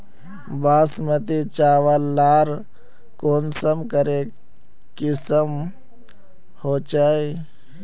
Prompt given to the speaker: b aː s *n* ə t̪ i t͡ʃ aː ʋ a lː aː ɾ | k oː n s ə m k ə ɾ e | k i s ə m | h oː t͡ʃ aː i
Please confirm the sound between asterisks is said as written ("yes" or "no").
no